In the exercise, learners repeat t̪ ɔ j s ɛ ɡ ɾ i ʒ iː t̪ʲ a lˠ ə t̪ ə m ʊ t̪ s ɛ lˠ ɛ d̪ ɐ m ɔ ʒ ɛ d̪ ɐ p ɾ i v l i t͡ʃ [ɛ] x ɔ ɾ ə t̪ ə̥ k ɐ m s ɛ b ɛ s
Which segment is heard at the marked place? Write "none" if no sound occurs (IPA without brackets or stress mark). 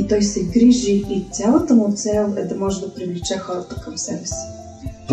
ɛ